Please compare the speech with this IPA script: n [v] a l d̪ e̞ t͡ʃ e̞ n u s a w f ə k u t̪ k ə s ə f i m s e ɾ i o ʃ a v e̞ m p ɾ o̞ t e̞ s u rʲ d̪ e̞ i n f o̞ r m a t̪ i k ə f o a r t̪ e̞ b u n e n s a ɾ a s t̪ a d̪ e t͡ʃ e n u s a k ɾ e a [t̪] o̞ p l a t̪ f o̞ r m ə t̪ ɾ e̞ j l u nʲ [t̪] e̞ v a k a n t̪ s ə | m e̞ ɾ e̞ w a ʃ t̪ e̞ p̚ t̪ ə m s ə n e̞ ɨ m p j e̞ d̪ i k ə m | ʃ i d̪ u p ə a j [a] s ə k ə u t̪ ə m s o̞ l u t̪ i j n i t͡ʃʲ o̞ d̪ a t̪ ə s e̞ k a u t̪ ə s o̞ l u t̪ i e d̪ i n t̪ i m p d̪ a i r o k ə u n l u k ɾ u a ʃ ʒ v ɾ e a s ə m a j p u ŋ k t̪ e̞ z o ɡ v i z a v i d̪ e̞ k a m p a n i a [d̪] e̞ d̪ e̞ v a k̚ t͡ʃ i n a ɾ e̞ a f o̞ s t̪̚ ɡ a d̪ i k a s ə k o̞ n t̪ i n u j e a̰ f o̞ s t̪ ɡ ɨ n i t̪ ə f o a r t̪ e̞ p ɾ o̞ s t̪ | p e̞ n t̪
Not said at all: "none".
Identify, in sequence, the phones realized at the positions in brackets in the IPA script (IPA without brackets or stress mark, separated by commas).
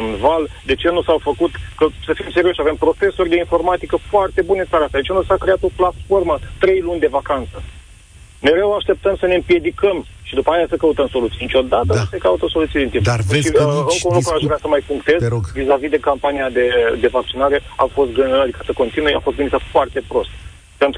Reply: v, t̪, d̪, a, d̪